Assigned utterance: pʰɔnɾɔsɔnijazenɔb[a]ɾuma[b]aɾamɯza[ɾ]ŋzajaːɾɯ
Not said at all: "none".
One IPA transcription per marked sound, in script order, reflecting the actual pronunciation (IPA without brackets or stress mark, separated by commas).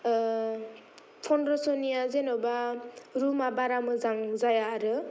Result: a, b, none